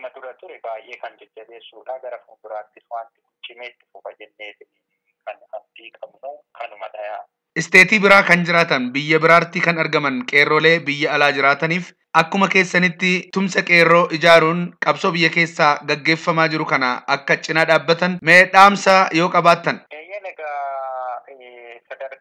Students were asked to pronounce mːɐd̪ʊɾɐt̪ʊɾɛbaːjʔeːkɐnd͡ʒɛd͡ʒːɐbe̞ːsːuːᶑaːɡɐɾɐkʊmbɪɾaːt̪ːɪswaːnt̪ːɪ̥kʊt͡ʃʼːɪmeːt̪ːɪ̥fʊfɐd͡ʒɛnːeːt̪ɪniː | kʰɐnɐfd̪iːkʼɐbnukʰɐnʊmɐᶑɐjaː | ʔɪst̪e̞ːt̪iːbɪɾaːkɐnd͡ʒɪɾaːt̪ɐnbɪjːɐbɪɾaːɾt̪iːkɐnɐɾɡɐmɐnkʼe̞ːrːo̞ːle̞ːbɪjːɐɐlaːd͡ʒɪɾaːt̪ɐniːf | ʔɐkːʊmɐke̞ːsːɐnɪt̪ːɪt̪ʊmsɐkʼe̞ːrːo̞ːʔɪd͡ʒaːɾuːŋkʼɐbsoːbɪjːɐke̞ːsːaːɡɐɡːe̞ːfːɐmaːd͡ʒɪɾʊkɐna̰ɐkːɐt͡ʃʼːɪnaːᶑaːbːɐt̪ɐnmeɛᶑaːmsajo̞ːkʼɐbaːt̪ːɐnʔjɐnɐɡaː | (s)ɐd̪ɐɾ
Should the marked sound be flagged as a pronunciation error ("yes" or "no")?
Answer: no